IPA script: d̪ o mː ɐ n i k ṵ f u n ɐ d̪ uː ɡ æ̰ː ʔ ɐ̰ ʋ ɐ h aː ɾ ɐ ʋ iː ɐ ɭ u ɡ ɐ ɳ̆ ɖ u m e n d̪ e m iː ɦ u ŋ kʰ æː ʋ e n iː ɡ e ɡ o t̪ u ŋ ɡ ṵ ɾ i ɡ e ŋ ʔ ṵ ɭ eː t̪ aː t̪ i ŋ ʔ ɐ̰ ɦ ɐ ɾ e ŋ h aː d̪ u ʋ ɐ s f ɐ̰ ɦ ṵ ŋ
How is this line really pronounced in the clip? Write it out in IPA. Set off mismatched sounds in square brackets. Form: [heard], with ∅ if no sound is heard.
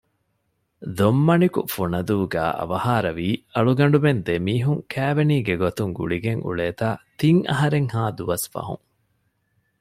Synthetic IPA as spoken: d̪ o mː ɐ n i k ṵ f u n ɐ d̪ uː ɡ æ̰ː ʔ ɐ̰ ʋ ɐ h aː ɾ ɐ ʋ iː ɐ ɭ u ɡ ɐ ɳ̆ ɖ u m e n d̪ e m iː ɦ u ŋ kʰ æː ʋ e n iː ɡ e ɡ o t̪ u ŋ ɡ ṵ [ɭ] i ɡ e ŋ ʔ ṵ ɭ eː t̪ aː t̪ i ŋ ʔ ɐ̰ ɦ ɐ ɾ e ŋ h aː d̪ u ʋ ɐ s f ɐ̰ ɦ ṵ ŋ